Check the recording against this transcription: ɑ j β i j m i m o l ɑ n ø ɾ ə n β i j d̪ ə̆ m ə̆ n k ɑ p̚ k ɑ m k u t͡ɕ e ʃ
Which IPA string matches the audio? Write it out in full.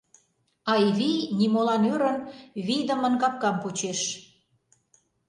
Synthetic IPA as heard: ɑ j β i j n i m o l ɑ n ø ɾ ə n β i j d̪ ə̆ m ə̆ n k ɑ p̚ k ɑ m p u t͡ɕ e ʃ